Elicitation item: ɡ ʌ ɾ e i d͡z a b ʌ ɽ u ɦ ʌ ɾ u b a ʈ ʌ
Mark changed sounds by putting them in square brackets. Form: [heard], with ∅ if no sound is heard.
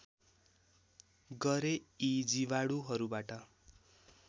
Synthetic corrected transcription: ɡ ʌ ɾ e i d͡z [i] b [a] ɽ u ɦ ʌ ɾ u b a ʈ ʌ